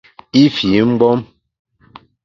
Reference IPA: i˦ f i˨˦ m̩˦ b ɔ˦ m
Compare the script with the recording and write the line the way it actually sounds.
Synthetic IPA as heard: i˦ f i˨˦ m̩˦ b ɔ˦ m